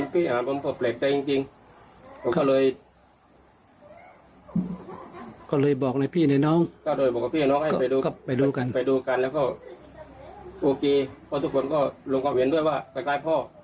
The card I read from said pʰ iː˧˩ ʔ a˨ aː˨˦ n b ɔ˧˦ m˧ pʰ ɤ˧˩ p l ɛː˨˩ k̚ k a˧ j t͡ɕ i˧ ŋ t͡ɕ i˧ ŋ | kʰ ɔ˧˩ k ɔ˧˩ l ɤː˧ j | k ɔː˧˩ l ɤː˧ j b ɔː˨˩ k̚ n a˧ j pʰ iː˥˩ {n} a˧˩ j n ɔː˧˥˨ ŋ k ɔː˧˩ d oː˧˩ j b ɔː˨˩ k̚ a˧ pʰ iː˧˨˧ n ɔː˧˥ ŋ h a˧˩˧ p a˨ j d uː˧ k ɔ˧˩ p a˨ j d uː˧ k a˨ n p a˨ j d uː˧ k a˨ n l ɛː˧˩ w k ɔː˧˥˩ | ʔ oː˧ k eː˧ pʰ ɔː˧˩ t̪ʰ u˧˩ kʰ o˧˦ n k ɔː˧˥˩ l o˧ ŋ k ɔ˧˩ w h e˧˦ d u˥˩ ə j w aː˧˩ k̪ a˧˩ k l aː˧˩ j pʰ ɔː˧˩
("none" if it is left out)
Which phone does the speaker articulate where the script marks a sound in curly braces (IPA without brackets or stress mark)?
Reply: n